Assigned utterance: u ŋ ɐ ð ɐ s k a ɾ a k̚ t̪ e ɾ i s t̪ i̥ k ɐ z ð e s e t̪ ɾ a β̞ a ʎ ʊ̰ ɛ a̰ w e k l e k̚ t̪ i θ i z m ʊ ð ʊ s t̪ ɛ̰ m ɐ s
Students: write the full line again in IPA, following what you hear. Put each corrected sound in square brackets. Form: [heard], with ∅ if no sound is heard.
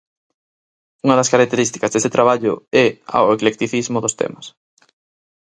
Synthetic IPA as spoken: u ŋ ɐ ð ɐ s k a ɾ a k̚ t̪ e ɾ i s t̪ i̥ k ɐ z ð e s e t̪ ɾ a β̞ a ʎ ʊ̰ ɛ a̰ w e k l e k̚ t̪ i θ i z m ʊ ð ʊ s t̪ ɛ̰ m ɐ s